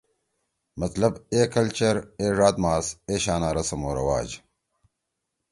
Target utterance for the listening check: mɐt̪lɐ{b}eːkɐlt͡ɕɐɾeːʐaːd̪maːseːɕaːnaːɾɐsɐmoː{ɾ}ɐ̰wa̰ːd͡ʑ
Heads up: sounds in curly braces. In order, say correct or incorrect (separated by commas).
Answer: correct, correct